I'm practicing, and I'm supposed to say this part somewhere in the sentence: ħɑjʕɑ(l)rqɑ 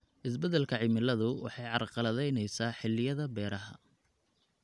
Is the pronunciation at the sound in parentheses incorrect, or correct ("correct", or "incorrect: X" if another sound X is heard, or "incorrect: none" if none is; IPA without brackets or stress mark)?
incorrect: none